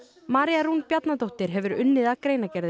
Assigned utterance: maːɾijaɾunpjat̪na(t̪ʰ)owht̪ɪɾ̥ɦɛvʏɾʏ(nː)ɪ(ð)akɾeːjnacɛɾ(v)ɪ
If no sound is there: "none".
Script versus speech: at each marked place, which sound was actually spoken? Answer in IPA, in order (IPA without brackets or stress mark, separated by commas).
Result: t̪, nː, ð, ð